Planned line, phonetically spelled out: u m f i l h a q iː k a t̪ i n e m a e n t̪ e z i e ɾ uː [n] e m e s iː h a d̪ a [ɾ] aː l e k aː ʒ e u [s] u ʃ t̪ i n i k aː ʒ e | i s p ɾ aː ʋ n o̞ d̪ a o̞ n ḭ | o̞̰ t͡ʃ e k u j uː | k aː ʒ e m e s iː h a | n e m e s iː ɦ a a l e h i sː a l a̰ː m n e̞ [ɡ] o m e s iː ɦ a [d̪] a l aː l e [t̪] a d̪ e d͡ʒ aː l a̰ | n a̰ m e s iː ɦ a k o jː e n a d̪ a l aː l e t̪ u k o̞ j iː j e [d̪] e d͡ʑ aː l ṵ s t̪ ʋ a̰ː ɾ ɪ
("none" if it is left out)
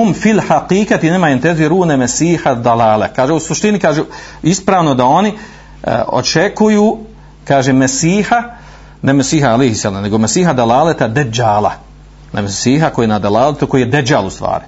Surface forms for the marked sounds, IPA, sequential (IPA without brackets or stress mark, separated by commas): n, l, s, ɡ, d̪, t̪, d̪